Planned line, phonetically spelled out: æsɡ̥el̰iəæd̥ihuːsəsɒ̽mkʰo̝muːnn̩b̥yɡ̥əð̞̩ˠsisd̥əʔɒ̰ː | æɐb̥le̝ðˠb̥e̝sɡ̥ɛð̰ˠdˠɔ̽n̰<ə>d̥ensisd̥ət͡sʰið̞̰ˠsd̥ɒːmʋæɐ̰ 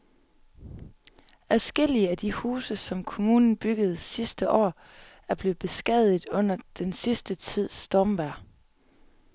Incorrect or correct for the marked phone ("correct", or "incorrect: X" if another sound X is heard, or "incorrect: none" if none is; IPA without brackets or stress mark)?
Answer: incorrect: ɐ